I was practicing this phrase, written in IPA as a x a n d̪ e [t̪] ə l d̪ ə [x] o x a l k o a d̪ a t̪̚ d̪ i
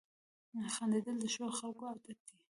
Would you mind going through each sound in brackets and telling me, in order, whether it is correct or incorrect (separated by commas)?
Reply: incorrect, incorrect